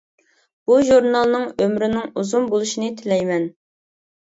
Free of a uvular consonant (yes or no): yes